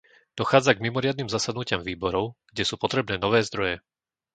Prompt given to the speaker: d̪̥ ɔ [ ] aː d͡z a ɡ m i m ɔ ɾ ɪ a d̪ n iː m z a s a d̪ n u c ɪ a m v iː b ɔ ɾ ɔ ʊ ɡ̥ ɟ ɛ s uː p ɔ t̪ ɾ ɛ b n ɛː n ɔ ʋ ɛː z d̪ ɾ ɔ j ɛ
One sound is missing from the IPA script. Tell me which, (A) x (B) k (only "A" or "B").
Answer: A